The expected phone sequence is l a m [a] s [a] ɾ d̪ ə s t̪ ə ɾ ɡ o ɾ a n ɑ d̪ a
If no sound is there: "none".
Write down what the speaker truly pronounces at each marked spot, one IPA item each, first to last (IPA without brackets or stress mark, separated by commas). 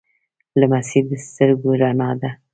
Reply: a, i